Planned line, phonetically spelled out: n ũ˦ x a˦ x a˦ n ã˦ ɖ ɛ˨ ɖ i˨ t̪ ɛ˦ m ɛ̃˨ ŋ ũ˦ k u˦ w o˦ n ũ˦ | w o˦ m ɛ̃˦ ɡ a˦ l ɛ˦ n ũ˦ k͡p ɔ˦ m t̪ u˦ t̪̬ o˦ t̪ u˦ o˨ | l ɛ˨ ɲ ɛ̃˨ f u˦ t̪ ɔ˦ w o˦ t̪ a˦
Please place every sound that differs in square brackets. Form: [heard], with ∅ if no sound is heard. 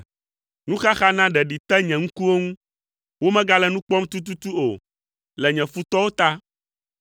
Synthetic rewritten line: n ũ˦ x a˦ x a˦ n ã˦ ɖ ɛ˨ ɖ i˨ t̪ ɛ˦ [ɲ] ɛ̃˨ ŋ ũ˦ k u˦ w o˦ [ŋ] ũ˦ | w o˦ m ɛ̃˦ ɡ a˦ l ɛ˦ n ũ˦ k͡p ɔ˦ m t̪ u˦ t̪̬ [u˦] t̪ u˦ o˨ | l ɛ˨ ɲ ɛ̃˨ f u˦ t̪ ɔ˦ w o˦ t̪ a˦